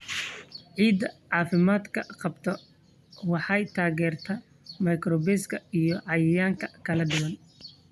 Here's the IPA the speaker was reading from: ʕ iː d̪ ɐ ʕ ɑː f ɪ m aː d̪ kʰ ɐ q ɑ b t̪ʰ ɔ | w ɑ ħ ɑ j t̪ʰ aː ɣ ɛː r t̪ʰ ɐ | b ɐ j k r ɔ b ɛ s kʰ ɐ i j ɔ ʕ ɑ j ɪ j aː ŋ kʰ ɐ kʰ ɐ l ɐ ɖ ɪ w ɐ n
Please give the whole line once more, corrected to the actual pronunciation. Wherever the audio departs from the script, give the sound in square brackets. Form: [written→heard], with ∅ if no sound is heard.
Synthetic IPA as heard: ʕ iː d̪ ɐ ʕ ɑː f ɪ m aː d̪ kʰ ɐ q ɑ b t̪ʰ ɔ | w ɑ ħ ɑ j t̪ʰ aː ɣ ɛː r t̪ʰ ɐ | [b→m] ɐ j k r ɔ b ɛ s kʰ ɐ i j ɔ ʕ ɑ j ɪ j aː ŋ kʰ ɐ kʰ ɐ l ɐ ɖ ɪ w ɐ n